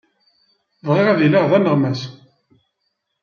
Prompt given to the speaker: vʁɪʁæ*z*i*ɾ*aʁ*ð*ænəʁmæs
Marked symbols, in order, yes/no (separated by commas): no, no, yes